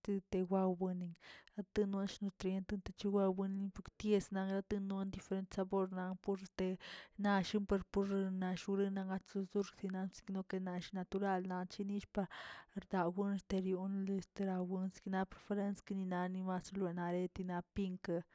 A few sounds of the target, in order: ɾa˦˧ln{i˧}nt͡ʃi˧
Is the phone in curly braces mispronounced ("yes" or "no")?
yes